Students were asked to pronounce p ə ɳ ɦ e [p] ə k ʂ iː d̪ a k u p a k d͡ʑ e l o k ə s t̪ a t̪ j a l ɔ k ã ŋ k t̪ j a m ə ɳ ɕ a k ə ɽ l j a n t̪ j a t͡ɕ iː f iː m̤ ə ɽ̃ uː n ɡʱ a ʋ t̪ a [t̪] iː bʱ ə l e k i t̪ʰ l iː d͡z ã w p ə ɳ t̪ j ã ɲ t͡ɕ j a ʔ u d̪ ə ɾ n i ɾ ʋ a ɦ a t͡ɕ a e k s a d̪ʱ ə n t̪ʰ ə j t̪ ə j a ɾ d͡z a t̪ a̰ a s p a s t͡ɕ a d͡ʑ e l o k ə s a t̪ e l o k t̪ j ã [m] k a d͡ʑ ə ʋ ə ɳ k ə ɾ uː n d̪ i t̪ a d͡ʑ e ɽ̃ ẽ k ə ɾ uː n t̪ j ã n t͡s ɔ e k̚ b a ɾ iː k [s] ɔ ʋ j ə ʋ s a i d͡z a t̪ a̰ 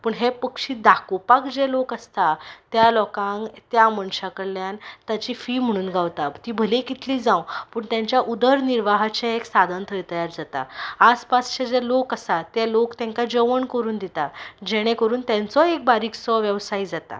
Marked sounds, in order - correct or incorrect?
correct, correct, incorrect: ŋ, correct

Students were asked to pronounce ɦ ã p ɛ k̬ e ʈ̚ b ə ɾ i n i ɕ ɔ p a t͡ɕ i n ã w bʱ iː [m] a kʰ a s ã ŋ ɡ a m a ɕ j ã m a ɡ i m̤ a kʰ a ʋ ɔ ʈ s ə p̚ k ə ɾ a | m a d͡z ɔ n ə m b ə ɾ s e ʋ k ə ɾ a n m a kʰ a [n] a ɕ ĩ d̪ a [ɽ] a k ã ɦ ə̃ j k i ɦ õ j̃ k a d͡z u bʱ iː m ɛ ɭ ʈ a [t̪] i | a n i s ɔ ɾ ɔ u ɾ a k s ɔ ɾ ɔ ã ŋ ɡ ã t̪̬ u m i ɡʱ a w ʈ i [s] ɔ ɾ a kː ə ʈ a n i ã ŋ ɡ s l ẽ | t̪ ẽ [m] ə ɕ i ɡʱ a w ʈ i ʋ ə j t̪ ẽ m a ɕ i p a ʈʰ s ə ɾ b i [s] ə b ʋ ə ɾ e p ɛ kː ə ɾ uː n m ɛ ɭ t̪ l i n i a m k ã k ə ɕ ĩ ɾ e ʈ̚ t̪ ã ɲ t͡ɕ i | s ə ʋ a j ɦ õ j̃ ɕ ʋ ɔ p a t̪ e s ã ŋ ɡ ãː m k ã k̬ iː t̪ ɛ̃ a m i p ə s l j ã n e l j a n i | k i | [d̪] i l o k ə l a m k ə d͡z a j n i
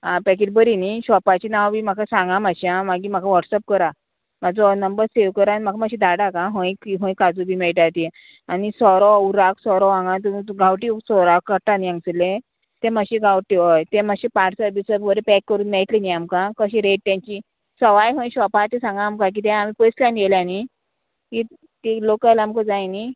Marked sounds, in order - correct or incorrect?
correct, incorrect: m, correct, correct, correct, correct, correct, incorrect: t̪

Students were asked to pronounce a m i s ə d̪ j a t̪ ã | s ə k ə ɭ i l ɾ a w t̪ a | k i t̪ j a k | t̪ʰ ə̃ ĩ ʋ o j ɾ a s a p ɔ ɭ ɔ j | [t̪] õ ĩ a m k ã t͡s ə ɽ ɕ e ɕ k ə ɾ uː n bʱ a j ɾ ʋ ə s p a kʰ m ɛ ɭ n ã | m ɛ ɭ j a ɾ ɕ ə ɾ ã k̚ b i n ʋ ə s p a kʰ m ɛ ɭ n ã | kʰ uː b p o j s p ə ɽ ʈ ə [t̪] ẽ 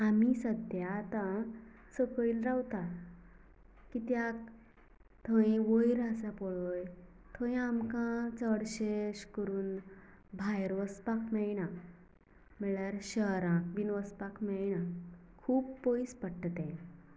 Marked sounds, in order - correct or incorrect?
incorrect: t̪ʰ, correct

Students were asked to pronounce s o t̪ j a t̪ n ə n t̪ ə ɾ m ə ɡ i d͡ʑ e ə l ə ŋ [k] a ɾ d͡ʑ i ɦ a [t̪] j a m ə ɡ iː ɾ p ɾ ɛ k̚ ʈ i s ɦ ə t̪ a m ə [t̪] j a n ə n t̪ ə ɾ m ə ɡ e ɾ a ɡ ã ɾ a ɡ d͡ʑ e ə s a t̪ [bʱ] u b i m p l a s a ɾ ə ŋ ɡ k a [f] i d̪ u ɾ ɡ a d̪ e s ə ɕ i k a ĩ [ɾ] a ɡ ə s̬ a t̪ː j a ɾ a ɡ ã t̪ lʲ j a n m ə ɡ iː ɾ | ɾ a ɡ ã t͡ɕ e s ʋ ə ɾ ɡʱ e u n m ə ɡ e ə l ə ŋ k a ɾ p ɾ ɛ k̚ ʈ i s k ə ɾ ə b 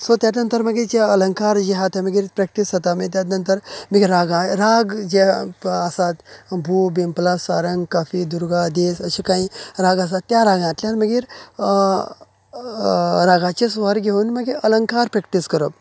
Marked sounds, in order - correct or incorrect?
correct, correct, correct, correct, correct, correct

